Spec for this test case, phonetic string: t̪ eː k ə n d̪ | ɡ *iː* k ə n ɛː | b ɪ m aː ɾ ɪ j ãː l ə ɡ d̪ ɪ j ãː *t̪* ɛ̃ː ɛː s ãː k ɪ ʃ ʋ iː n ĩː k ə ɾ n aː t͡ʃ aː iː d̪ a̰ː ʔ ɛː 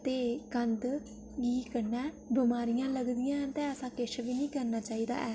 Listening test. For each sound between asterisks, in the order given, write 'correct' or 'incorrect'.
correct, correct

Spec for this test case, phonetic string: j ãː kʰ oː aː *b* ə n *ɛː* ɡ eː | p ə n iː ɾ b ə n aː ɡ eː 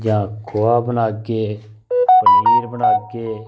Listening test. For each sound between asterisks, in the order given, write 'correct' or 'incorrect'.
correct, incorrect: aː

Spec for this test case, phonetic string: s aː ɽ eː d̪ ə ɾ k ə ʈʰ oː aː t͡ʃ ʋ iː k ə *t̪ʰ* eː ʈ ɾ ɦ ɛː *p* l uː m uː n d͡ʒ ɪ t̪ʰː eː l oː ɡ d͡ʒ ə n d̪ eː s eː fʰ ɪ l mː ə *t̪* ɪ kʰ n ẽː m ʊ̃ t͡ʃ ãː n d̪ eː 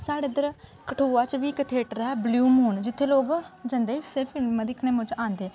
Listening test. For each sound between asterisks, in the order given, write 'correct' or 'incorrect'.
correct, incorrect: b, incorrect: d̪

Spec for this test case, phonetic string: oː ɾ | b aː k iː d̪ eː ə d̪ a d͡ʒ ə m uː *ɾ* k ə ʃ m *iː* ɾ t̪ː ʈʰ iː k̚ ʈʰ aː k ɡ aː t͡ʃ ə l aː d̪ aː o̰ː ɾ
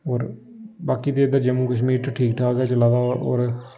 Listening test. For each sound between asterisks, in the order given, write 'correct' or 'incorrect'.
incorrect: none, correct

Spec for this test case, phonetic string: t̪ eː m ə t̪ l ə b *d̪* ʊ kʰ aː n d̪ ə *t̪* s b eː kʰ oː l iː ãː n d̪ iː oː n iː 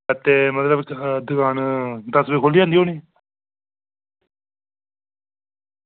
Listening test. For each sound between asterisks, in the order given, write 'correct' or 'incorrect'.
correct, incorrect: none

